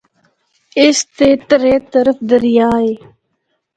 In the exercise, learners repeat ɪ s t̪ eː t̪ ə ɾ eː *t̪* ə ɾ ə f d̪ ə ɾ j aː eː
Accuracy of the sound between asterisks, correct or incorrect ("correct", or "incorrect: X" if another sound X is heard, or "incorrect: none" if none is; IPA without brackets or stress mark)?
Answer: correct